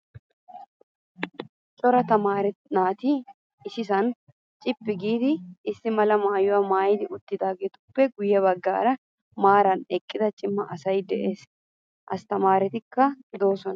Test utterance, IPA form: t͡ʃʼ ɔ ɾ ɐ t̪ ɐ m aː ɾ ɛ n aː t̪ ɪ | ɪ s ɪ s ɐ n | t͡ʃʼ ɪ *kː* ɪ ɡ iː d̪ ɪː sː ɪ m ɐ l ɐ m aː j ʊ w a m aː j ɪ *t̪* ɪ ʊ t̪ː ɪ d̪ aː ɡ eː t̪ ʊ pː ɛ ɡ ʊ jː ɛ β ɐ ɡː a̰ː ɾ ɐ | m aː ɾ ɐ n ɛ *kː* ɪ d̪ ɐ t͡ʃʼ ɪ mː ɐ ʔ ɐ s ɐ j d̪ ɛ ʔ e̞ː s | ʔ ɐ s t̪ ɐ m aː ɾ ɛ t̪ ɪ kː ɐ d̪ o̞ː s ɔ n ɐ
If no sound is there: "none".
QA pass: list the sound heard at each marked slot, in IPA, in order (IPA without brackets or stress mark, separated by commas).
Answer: pː, d̪, kʼː